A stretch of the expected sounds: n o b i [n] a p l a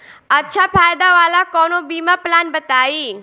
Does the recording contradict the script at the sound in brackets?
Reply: yes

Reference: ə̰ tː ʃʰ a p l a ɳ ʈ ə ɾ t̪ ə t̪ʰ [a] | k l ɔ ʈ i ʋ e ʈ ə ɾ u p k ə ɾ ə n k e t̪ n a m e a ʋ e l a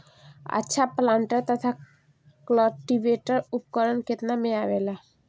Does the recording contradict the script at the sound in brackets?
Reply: no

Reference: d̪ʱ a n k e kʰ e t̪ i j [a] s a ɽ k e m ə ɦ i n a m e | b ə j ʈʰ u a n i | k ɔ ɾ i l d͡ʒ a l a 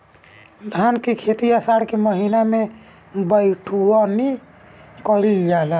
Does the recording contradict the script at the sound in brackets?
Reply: no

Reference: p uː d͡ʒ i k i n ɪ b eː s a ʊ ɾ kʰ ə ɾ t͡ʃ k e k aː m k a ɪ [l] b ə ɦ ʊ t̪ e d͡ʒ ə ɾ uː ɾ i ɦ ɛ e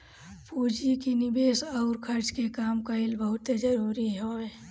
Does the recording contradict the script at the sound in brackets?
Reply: no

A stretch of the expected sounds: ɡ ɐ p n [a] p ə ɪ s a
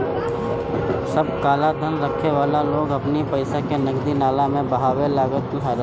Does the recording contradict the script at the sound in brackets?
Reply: yes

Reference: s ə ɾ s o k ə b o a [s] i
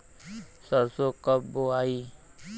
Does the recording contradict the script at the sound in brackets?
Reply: yes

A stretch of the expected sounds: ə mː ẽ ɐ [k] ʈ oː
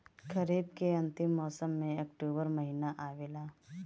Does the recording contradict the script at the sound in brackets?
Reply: no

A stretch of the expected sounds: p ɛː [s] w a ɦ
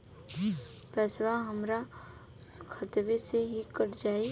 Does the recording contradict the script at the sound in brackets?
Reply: no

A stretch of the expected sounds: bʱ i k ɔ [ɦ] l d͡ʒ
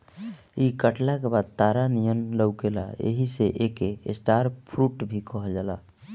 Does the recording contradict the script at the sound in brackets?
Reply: no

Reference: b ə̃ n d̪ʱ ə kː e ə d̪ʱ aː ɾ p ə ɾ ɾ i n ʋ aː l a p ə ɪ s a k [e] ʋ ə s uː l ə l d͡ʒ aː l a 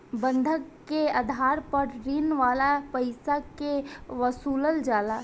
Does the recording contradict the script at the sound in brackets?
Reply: no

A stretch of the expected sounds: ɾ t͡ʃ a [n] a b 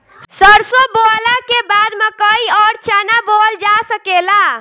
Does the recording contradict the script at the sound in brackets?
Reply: no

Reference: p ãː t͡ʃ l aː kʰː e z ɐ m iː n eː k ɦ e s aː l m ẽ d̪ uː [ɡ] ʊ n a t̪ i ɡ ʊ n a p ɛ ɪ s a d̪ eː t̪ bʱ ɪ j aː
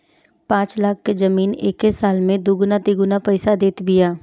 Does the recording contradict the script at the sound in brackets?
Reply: no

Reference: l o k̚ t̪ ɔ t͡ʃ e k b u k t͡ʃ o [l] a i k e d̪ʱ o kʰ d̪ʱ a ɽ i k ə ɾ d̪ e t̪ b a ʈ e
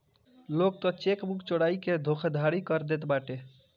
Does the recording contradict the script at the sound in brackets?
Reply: yes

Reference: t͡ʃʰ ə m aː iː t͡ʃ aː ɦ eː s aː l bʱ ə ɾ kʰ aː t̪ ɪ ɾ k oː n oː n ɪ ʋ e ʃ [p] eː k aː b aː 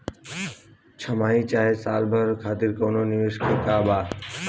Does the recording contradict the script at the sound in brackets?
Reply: yes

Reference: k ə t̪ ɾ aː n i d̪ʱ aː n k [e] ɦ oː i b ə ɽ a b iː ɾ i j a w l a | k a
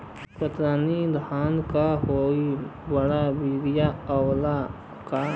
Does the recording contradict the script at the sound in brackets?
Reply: yes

